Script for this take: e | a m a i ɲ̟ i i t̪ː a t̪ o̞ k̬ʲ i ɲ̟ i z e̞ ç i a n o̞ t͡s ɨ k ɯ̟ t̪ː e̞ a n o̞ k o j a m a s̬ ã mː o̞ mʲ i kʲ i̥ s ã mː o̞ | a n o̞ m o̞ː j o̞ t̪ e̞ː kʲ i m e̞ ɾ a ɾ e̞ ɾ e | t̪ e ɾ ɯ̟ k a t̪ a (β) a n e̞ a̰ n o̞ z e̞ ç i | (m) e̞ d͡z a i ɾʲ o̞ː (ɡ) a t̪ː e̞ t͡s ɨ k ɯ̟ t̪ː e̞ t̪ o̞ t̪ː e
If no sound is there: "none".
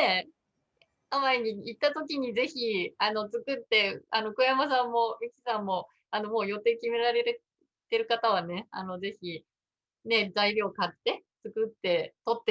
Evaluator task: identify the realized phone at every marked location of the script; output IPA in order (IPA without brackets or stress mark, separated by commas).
β, n, k